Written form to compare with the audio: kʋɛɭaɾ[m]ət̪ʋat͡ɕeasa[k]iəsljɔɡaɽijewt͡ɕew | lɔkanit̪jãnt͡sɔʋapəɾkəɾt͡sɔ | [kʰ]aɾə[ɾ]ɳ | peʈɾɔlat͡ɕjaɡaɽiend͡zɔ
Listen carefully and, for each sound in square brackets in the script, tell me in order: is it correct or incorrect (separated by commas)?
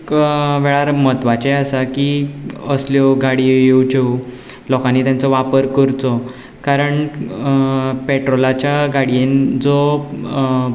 correct, correct, incorrect, incorrect